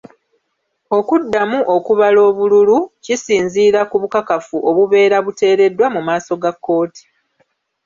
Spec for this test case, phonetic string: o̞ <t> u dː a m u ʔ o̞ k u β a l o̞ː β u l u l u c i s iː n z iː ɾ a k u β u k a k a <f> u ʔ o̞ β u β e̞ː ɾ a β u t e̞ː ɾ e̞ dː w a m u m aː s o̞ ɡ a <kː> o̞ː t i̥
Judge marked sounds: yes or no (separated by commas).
no, yes, yes